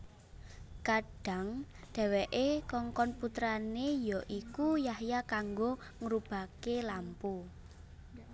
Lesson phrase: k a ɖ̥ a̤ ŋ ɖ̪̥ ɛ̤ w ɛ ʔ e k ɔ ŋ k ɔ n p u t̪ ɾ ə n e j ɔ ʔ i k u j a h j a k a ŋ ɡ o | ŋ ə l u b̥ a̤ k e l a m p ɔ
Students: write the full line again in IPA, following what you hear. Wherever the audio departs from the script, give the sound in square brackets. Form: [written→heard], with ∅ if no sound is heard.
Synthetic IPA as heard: k a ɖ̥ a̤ ŋ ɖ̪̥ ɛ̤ w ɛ ʔ e k ɔ ŋ k ɔ n p u t̪ ɾ [ə→a] n e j ɔ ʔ i k u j a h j a k a ŋ ɡ o | ŋ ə [l→ɾ] u b̥ a̤ k e l a m p [ɔ→u]